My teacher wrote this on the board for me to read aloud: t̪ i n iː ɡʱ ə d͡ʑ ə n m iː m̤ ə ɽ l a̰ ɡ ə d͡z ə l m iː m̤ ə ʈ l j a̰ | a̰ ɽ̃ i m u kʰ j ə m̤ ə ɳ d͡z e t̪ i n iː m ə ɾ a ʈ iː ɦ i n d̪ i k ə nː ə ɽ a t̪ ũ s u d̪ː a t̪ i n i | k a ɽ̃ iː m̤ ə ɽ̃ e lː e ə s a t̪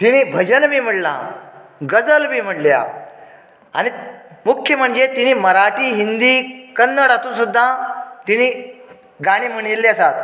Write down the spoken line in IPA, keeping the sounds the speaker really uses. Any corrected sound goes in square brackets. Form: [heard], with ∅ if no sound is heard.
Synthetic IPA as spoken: t̪ i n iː [bʱ] ə d͡ʑ ə n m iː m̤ ə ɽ l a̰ ɡ ə d͡z ə l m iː m̤ ə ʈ l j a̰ | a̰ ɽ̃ i m u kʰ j ə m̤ ə ɳ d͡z e t̪ i n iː m ə ɾ a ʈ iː ɦ i n d̪ i k ə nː ə ɽ a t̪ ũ s u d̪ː a t̪ i n i | [ɡ] a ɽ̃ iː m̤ ə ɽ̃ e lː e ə s a t̪